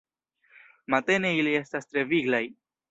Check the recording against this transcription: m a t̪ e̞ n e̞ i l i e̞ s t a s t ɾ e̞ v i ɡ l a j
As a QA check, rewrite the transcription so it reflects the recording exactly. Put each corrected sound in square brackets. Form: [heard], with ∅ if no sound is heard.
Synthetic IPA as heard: m a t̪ e̞ n e̞ i l i e̞ s t a s t ɾ e̞ v i ɡ l a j